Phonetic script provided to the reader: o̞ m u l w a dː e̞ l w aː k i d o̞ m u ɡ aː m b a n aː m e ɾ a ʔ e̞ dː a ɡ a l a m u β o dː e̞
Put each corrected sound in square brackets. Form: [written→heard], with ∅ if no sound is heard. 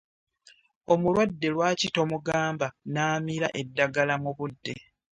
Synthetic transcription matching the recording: o̞ m u l w a dː e̞ l w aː [k→c] i [d→t] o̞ m u ɡ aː m b a n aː m [e→i] ɾ a ʔ e̞ dː a ɡ a l a m u β [o→u] dː e̞